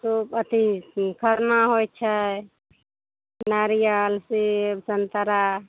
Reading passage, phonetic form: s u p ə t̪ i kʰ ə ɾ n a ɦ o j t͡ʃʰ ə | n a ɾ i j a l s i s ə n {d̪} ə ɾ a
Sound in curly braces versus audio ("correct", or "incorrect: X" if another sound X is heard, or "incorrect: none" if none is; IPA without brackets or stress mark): incorrect: t̪